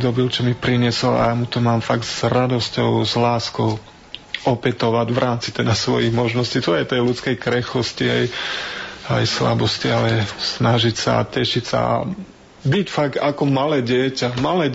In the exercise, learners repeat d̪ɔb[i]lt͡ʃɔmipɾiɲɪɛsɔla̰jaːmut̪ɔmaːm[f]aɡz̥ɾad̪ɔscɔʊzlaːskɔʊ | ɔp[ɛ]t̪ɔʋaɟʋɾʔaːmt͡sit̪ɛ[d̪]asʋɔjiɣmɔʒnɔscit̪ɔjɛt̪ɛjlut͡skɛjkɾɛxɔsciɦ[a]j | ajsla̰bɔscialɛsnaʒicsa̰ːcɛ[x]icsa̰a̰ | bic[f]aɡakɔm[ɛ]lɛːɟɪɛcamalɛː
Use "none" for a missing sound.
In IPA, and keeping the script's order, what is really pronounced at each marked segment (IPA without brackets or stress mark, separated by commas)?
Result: i, f, ɛ, d̪, ɛ, ʃ, f, a